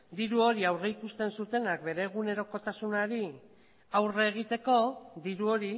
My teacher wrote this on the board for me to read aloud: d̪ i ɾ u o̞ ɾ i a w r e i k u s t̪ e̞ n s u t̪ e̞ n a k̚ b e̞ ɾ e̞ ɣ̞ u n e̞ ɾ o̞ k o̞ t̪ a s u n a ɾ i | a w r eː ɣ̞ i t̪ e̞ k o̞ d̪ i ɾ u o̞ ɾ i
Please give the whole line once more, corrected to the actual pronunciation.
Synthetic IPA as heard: d̪ i ɾ u o̞ ɾ i a w r e i k u s t̪ e̞ n s u t̪ e̞ n a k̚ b e̞ ɾ e̞ ɣ̞ u n e̞ ɾ o̞ k o̞ t̪ a s u n a ɾ i | a w r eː ɣ̞ i t̪ e̞ k o̞ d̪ i ɾ u o̞ ɾ i